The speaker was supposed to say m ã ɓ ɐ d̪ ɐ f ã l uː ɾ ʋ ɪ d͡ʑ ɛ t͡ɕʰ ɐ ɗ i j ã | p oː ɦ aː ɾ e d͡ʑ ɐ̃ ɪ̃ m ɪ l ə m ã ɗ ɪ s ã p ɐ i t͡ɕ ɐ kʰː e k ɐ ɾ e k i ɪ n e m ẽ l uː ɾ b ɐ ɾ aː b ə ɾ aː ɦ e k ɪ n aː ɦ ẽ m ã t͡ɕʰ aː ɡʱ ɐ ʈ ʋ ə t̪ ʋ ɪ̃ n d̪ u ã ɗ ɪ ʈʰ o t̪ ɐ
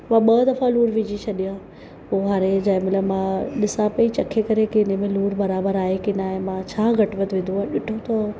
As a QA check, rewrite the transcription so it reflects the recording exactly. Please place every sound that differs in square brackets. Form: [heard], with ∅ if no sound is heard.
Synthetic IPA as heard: m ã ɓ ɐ d̪ ɐ f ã l uː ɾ ʋ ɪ d͡ʑ [i] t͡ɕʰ ɐ ɗ i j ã | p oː ɦ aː ɾ e d͡ʑ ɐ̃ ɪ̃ m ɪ l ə m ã ɗ ɪ s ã p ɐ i t͡ɕ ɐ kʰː e k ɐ ɾ e k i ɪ n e m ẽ l uː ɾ b ɐ ɾ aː b ə ɾ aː ɦ e k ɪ n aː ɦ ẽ m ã t͡ɕʰ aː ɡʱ ɐ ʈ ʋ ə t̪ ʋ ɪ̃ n d̪ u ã ɗ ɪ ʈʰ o t̪ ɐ